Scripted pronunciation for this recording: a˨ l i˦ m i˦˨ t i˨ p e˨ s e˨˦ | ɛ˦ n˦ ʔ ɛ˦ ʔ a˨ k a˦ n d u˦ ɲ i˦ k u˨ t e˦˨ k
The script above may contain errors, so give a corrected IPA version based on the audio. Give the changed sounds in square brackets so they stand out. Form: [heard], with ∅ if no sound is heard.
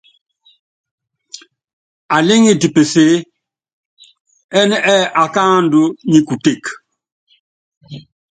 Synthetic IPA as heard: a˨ l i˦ [ŋ] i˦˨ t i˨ p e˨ s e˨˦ | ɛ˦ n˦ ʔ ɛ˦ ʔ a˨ k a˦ n d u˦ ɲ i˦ k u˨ t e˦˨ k